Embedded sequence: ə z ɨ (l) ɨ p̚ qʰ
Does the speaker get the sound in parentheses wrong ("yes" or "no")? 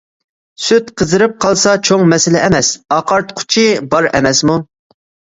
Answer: yes